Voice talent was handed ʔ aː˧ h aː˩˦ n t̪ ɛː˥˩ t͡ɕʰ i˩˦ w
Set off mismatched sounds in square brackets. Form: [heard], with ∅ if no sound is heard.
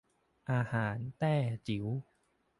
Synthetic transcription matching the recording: ʔ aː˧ h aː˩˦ n t̪ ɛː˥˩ [t͡ɕ] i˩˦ w